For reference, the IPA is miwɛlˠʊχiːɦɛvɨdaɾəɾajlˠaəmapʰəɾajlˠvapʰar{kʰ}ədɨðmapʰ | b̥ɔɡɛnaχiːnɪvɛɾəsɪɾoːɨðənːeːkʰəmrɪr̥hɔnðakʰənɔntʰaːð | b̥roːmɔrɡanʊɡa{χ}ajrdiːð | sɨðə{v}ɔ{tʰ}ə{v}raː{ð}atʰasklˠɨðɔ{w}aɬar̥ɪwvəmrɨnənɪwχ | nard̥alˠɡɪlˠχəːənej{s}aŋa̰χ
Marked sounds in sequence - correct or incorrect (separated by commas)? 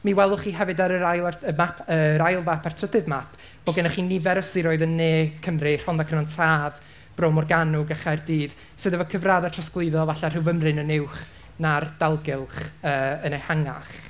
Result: incorrect, correct, correct, incorrect, correct, correct, incorrect, incorrect